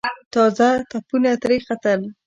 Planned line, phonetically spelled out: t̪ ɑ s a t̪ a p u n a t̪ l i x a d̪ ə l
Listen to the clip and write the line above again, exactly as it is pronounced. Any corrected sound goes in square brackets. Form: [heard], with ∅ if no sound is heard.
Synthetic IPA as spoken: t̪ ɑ [z] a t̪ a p u n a t̪ [ɾ] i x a [t̪] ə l